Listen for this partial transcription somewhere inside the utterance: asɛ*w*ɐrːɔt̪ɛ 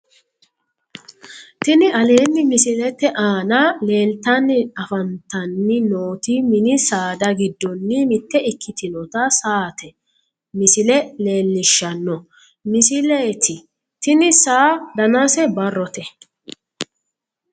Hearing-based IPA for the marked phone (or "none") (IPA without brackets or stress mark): b